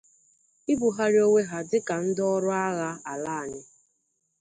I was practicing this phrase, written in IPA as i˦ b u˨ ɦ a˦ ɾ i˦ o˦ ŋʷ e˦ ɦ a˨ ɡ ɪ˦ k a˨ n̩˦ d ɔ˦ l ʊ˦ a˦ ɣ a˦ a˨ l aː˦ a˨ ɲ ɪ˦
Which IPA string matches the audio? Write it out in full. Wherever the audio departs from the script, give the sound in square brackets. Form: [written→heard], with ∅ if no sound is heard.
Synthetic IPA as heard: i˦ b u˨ ɦ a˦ ɾ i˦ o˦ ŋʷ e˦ ɦ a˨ [ɡ→d] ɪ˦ k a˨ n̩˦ d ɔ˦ [l→ɾ] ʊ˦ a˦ ɣ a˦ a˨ l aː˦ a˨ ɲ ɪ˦